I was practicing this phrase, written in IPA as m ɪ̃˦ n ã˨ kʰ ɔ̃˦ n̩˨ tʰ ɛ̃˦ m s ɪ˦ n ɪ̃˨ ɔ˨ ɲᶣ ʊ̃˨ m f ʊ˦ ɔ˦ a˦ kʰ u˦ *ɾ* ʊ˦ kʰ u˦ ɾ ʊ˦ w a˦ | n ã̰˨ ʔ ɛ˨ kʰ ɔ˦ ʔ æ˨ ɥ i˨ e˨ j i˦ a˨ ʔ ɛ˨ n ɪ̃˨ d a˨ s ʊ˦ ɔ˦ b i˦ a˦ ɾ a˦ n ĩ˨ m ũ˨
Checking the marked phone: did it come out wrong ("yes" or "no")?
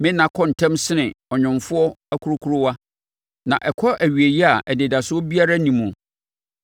no